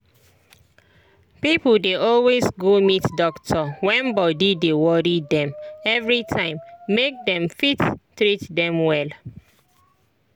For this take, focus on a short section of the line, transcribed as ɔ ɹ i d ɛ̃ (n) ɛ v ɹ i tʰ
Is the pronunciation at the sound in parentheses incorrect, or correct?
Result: incorrect